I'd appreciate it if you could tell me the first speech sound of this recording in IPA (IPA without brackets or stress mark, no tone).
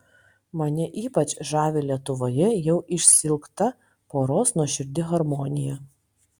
m